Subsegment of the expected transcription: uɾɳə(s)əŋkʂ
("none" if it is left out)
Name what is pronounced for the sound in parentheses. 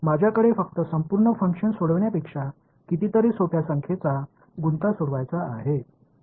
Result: f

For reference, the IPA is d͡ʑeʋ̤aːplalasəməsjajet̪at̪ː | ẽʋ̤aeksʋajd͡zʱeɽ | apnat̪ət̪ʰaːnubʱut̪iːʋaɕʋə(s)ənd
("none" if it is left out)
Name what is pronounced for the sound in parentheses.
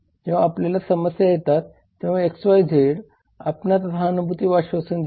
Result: s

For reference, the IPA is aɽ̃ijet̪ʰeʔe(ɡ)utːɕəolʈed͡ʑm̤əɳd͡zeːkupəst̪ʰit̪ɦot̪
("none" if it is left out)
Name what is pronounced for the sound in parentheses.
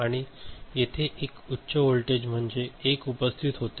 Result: k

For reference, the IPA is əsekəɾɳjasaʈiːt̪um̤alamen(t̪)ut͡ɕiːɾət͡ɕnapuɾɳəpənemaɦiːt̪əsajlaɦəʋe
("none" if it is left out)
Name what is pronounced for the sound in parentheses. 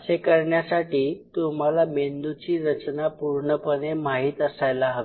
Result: d̪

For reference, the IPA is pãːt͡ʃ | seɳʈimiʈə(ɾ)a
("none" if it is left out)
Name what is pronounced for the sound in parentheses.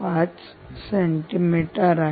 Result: ɾ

